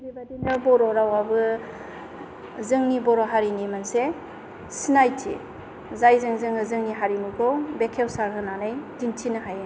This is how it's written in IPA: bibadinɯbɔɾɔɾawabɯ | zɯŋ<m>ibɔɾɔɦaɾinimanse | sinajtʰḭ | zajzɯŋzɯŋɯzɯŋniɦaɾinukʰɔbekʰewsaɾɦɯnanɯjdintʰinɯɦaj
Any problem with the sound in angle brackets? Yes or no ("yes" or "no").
yes